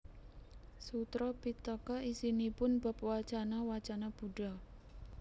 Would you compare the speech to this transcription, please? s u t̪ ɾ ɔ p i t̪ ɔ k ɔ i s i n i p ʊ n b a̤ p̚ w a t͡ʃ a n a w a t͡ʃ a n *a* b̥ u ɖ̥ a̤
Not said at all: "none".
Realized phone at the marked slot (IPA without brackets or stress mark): a